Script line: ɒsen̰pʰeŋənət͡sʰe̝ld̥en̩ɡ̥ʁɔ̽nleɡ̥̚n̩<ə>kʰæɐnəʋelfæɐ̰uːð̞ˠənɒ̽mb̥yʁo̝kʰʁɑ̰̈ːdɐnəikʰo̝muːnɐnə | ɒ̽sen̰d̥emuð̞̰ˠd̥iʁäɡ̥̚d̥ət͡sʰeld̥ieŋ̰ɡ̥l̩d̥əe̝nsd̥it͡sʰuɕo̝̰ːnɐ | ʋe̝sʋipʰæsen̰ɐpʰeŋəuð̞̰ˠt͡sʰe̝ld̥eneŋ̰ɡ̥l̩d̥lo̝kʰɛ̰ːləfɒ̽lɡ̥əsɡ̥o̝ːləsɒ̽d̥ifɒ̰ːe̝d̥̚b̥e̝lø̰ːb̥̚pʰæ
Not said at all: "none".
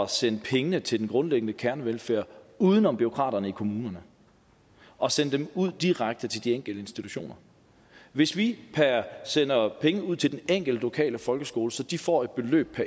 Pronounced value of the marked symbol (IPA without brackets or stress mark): ə